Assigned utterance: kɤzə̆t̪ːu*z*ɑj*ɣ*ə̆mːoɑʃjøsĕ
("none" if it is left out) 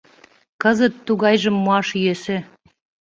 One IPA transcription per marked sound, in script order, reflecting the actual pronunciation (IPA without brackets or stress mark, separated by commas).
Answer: ɣ, ʒ